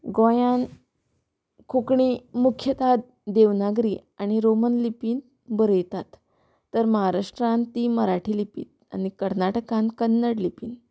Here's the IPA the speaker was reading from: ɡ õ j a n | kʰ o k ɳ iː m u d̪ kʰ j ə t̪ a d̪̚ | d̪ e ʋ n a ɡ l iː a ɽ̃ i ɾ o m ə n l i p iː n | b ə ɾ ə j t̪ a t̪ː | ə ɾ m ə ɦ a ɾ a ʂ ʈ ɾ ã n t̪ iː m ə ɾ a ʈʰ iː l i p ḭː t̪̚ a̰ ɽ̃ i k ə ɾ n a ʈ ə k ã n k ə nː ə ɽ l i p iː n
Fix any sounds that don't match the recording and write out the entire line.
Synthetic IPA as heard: ɡ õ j a n | kʰ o k ɳ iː m u kʰ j ə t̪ a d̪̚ | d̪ e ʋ n a ɡ ɾ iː a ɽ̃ i ɾ o m ə n l i p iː n | b ə ɾ ə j t̪ a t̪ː | ə ɾ m ə ɦ a ɾ a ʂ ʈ ɾ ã n t̪ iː m ə ɾ a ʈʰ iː l i p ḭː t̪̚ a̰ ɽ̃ i k ə ɾ n a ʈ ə k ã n k ə nː ə ɽ l i p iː n